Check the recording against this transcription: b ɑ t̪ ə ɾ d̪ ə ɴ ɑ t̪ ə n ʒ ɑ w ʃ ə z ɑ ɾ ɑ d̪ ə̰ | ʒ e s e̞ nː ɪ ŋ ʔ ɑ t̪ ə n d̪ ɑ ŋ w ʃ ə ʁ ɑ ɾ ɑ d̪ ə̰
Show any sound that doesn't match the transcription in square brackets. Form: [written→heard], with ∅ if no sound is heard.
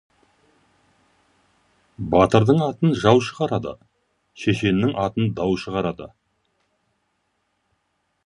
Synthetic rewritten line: b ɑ t̪ ə ɾ d̪ ə ɴ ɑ t̪ ə n ʒ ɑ w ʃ ə [z→ʁ] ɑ ɾ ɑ d̪ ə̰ | [ʒ→ʃ] e [s→ʃ] e̞ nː ɪ ŋ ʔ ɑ t̪ ə n d̪ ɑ [ŋ→∅] w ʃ ə ʁ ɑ ɾ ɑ d̪ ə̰